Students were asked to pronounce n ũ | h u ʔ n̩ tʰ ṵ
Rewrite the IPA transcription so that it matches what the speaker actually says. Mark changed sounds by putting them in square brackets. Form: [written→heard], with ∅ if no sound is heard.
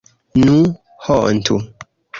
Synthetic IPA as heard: n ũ | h [u→ɔ] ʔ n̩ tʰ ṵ